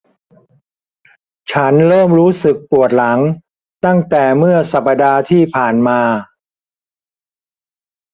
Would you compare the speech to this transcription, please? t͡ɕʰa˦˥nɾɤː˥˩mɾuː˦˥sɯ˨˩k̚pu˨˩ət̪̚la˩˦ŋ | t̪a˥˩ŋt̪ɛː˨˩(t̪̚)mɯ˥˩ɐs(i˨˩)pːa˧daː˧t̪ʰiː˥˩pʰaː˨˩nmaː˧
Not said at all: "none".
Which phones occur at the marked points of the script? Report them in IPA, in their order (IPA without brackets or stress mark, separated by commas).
none, a˨˩